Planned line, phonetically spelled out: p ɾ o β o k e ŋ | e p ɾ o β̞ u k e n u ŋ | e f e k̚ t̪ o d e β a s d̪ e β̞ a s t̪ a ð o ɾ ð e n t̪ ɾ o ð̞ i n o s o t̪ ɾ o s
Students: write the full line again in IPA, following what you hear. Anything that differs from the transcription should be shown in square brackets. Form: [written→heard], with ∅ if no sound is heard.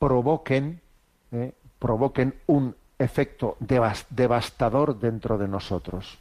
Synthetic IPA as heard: p ɾ o β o k e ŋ | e p ɾ o β̞ [u→o] k e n u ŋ | e f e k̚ t̪ o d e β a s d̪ e β̞ a s t̪ a ð o ɾ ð e n t̪ ɾ o ð̞ [i→e] n o s o t̪ ɾ o s